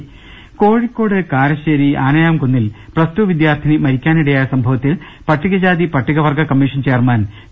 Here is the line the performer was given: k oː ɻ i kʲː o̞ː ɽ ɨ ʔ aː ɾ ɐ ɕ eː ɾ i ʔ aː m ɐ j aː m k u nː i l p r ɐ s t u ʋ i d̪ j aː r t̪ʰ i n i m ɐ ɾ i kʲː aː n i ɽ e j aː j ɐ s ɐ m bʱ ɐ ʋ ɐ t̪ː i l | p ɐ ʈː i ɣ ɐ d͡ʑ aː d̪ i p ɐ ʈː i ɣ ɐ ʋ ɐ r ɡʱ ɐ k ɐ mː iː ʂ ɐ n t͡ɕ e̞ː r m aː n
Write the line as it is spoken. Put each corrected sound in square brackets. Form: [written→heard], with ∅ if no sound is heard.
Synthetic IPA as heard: k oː ɻ i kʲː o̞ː ɽ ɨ [ʔ→k] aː ɾ ɐ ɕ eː ɾ i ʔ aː [m→n] ɐ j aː m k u nː i l p r ɐ s t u ʋ i d̪ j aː r t̪ʰ i n i m ɐ ɾ i kʲː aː n i ɽ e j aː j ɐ s ɐ m bʱ ɐ ʋ ɐ t̪ː i l | p ɐ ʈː i ɣ ɐ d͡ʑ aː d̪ i p ɐ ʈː i ɣ ɐ ʋ ɐ r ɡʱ ɐ k ɐ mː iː ʂ ɐ n t͡ɕ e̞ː r m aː n